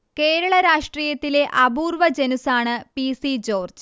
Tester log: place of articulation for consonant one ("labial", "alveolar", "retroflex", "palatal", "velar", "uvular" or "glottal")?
velar